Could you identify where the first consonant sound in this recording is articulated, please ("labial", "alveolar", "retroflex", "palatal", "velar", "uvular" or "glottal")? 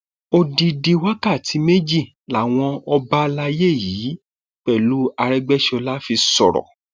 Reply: alveolar